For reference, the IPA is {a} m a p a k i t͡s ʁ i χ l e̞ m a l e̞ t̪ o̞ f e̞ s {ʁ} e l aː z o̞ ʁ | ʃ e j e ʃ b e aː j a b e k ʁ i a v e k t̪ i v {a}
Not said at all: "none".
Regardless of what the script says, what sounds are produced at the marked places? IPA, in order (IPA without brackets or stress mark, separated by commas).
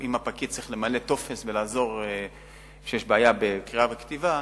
i, v, a